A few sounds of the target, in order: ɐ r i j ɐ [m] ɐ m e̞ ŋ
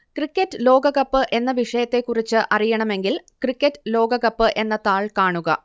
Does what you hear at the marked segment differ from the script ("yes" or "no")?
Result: yes